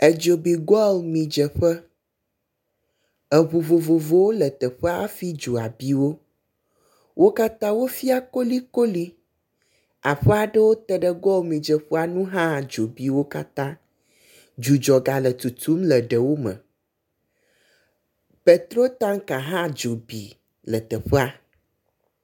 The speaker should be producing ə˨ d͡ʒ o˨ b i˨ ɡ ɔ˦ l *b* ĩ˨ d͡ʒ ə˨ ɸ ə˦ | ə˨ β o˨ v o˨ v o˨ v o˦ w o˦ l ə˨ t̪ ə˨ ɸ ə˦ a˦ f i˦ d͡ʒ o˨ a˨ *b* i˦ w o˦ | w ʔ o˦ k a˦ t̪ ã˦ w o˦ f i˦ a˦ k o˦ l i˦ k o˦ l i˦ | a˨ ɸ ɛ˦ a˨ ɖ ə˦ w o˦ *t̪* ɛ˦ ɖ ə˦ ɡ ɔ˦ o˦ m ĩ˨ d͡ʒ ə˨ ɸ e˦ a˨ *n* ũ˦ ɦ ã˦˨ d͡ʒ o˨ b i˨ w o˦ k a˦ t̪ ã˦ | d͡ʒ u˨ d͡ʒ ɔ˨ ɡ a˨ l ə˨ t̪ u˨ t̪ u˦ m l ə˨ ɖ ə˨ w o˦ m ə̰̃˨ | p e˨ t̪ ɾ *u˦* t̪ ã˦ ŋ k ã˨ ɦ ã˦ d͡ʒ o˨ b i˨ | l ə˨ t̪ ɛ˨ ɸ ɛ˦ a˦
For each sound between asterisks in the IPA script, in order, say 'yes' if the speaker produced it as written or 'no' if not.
no, yes, yes, yes, no

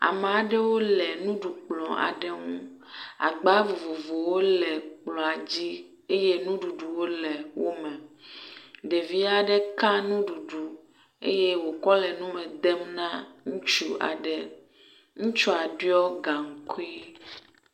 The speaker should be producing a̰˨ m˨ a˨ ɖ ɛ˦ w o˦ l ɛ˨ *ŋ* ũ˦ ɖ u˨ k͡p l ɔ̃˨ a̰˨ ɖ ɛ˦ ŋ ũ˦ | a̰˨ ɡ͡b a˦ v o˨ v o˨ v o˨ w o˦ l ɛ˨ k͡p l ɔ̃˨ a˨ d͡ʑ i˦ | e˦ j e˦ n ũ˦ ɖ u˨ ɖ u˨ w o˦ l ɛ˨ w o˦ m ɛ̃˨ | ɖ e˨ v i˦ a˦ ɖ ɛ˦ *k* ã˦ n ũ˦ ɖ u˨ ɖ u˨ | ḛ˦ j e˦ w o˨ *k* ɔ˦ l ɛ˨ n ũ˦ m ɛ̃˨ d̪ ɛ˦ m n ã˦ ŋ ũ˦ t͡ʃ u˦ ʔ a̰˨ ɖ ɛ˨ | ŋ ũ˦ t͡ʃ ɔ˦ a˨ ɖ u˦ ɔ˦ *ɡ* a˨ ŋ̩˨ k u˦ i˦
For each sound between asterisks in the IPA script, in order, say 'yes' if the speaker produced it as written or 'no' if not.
no, yes, yes, yes

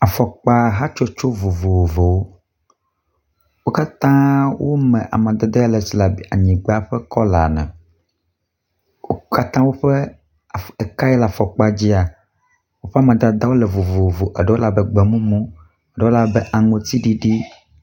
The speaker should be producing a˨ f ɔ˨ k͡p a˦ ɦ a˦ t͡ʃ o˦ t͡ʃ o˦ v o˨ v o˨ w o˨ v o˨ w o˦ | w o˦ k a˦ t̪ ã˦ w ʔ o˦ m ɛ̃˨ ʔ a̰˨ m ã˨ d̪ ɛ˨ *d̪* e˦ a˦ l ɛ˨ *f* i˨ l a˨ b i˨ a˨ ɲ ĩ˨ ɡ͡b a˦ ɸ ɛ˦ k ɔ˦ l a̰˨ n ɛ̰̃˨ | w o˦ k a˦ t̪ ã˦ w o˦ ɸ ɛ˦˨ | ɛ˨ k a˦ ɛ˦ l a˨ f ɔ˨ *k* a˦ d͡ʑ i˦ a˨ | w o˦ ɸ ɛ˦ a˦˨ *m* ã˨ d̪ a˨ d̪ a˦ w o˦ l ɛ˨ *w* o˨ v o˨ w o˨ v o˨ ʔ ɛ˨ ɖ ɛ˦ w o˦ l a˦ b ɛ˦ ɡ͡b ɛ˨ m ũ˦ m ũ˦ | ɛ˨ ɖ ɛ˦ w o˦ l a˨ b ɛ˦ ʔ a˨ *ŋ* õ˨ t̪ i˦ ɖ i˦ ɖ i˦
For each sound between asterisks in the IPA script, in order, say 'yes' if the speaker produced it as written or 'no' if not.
yes, no, no, yes, no, yes

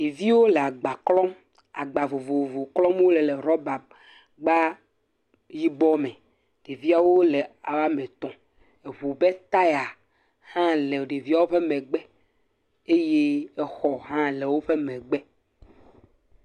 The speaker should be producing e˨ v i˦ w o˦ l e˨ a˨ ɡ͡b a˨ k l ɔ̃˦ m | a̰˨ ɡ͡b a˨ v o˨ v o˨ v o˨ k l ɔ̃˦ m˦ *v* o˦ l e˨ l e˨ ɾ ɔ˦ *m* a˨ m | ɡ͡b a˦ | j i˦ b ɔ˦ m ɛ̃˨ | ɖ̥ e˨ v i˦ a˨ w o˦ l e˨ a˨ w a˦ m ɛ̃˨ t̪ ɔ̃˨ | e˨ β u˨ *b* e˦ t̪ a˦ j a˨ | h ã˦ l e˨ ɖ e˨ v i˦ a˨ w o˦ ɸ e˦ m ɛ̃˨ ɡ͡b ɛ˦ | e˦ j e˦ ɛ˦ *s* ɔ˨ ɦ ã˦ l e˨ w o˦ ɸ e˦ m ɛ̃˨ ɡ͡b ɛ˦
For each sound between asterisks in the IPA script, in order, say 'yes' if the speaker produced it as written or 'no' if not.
no, no, yes, no

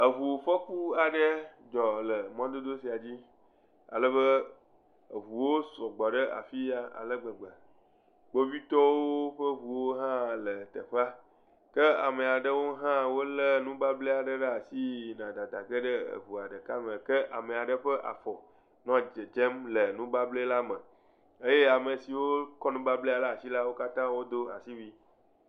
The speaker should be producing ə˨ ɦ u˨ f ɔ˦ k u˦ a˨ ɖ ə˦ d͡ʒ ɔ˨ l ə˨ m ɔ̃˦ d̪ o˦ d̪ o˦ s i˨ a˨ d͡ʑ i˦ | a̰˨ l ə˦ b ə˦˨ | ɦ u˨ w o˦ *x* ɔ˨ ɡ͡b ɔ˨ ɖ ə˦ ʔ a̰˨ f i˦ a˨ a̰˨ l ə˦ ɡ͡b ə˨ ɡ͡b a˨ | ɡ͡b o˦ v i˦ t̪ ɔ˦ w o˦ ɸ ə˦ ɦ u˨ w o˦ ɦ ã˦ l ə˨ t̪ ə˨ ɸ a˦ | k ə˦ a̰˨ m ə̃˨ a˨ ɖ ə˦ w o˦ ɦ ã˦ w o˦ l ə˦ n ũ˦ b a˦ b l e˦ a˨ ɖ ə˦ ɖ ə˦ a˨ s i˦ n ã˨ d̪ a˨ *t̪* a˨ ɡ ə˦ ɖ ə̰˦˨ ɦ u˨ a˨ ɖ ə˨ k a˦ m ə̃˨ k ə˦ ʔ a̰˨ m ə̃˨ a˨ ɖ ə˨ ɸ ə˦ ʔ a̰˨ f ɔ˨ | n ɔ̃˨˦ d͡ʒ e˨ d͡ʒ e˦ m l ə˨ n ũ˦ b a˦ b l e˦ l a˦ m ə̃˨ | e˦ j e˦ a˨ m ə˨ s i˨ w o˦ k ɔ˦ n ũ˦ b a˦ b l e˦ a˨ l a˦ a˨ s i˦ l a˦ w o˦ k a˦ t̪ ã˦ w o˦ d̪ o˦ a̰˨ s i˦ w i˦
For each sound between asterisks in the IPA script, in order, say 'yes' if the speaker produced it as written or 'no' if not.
no, no

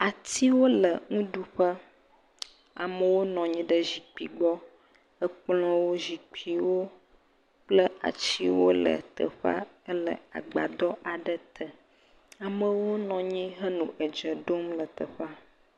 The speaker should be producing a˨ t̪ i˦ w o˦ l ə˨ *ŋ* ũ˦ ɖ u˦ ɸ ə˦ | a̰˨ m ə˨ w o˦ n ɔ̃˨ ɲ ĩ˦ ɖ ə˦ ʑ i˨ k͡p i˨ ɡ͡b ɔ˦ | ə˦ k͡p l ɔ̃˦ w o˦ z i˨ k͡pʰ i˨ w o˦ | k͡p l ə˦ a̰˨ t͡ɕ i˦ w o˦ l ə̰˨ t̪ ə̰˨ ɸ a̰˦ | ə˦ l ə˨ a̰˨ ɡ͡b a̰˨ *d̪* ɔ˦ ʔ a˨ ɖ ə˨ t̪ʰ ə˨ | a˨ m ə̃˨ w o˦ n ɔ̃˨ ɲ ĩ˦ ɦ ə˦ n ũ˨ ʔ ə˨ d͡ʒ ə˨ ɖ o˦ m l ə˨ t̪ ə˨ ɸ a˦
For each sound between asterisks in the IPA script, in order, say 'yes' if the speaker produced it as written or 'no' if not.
yes, yes

